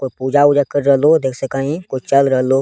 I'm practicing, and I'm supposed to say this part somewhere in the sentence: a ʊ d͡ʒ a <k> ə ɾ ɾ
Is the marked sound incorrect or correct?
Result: correct